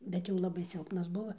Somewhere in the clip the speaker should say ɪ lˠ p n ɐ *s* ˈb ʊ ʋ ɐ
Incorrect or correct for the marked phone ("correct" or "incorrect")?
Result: correct